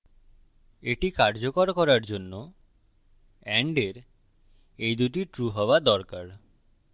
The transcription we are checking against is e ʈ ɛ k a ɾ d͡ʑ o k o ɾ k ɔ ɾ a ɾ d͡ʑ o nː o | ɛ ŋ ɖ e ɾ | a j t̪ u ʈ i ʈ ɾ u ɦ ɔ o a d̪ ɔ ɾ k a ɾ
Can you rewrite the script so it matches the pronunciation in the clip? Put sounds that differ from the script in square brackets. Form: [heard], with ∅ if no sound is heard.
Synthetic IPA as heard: e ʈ [i] k a ɾ d͡ʑ o k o ɾ k ɔ ɾ a ɾ d͡ʑ o nː o | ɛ [ɳ] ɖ e ɾ | [e] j [d̪] u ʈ i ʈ ɾ u ɦ ɔ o a d̪ ɔ ɾ k a ɾ